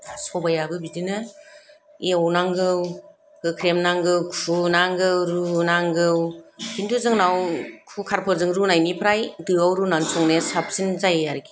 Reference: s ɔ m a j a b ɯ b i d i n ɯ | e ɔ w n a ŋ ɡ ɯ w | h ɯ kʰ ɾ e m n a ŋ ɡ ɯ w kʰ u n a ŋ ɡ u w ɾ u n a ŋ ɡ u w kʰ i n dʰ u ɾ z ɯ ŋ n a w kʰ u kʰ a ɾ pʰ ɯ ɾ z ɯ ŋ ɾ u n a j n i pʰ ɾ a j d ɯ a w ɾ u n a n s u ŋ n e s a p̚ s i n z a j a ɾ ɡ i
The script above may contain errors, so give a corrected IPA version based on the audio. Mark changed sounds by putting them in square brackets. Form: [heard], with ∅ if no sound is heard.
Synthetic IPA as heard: s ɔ [b] a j a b ɯ b i d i n ɯ | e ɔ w n a ŋ ɡ ɯ w | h ɯ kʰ ɾ e m n a ŋ ɡ ɯ w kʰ u n a ŋ ɡ [ɯ] w ɾ u n a ŋ ɡ [ɯ] w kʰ i n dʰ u [∅] z ɯ ŋ n a w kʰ u kʰ a ɾ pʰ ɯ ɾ z ɯ ŋ ɾ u n a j n i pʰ ɾ a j d ɯ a w ɾ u n a n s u ŋ n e s a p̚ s i n z a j a ɾ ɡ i